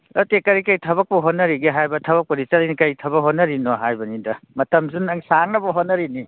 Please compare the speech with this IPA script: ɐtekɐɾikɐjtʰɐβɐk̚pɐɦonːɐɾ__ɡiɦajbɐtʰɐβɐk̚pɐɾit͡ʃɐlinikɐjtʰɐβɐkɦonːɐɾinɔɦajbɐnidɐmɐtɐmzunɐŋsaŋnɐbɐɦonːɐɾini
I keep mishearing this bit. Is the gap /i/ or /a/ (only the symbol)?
i